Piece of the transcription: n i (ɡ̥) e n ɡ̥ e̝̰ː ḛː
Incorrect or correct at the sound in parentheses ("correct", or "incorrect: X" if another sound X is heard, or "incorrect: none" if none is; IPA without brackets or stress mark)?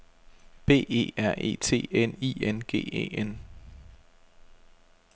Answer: incorrect: none